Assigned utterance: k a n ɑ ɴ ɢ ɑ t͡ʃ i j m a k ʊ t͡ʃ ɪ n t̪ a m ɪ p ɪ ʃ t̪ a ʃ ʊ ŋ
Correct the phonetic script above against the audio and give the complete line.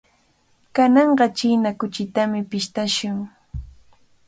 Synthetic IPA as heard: k a n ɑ ɴ ɢ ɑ t͡ʃ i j n a k ʊ t͡ʃ ɪ t̪ a m ɪ p ɪ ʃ t̪ a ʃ ʊ ŋ